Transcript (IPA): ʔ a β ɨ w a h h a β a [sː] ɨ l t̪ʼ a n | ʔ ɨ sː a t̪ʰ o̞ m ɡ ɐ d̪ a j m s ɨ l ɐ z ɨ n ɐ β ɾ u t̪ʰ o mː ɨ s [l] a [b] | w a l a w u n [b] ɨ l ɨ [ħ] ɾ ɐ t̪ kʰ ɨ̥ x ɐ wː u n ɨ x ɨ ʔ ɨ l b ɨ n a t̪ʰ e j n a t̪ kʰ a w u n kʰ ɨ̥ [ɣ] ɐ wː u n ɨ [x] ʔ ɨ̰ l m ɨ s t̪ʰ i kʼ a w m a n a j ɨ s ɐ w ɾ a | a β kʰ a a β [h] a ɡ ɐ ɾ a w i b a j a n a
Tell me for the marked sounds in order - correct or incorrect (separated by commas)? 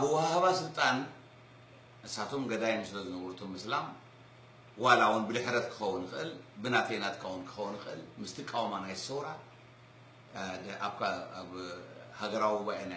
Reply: incorrect, correct, incorrect, correct, correct, incorrect, correct, correct